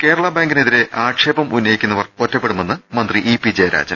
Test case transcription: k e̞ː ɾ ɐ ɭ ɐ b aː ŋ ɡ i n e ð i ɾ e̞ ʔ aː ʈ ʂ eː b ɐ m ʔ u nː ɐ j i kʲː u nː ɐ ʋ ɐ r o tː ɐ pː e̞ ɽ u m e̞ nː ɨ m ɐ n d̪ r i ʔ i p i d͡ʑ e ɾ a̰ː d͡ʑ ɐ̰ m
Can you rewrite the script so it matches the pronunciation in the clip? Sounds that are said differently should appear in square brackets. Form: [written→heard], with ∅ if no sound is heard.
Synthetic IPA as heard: k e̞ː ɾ ɐ ɭ ɐ b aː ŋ ɡ i n e ð i ɾ e̞ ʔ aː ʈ ʂ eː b ɐ m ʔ u nː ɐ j i kʲː u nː ɐ ʋ ɐ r o tː ɐ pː e̞ ɽ u m e̞ nː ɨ m ɐ n d̪ r i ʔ i p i d͡ʑ e ɾ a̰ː d͡ʑ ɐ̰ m